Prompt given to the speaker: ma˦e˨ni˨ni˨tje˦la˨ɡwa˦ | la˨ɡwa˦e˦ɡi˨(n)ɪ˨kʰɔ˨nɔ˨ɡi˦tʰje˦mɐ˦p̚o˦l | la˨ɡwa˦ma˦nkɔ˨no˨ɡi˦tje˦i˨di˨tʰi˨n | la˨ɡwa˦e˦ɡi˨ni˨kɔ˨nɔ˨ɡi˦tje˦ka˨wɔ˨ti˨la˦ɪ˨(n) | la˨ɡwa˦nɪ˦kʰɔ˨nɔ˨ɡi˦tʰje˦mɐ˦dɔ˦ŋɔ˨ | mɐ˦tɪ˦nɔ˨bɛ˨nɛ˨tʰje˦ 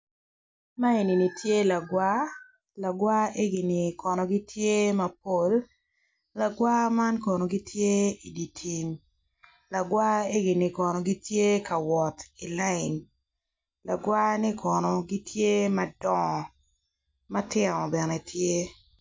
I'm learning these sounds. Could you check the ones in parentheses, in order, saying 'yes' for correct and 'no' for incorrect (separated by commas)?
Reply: yes, yes